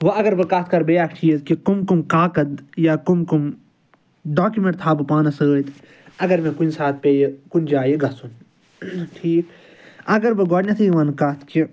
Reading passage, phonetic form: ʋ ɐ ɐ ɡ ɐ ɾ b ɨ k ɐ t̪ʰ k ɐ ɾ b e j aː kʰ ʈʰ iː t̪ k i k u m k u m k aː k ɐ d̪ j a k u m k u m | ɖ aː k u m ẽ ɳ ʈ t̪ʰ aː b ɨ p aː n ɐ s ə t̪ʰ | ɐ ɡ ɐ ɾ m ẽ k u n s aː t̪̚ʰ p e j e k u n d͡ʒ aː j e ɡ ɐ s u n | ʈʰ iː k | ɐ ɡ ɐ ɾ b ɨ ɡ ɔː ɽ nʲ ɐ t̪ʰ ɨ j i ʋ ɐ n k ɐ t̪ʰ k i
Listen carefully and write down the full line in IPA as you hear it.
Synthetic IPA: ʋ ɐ ɐ ɡ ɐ ɾ b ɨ k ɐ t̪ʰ k ɐ ɾ b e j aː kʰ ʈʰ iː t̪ k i k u m k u m k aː k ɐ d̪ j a k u m k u m | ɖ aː k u m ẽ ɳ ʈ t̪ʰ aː b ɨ p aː n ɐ s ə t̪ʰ | ɐ ɡ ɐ ɾ m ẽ k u n s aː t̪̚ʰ p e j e k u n d͡ʒ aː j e ɡ ɐ s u n | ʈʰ iː k | ɐ ɡ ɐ ɾ b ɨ ɡ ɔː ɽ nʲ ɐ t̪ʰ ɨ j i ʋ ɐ n k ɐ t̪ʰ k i